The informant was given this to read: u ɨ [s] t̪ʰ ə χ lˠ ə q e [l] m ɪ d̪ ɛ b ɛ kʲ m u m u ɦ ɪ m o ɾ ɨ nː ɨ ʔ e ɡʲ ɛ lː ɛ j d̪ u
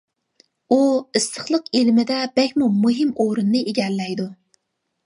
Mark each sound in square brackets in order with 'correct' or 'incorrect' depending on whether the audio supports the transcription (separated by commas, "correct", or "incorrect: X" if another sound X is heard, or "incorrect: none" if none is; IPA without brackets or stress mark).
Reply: correct, correct